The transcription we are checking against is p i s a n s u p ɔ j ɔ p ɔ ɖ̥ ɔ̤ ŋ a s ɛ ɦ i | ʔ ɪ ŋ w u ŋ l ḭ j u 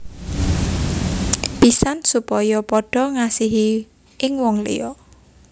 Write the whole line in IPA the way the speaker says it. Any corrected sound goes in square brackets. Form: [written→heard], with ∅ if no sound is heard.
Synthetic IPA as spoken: p i s a n s u p ɔ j ɔ p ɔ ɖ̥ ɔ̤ ŋ a s [ɛ→i] ɦ i | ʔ ɪ ŋ w [u→ɔ] ŋ l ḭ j [u→ɔ]